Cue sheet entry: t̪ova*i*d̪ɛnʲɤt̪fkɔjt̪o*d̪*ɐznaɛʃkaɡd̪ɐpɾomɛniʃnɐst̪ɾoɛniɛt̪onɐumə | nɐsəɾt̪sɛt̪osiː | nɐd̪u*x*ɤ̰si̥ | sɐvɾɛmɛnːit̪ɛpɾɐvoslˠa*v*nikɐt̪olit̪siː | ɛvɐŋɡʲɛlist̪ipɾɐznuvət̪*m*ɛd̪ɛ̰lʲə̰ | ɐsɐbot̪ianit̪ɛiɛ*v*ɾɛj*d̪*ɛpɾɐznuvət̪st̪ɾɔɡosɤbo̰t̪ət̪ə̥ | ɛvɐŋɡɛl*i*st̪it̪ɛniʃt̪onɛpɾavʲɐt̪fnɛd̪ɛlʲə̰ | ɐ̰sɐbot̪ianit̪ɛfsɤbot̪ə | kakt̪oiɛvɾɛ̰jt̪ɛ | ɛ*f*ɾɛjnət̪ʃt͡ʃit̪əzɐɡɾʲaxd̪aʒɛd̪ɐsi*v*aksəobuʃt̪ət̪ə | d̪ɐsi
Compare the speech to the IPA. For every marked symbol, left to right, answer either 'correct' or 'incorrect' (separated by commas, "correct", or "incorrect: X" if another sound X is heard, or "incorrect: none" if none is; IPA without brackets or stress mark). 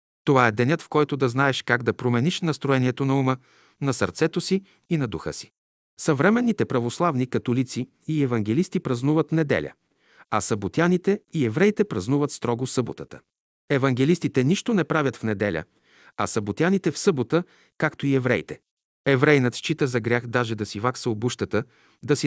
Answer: incorrect: ɛ, correct, correct, correct, incorrect: n, correct, incorrect: t̪, correct, incorrect: v, correct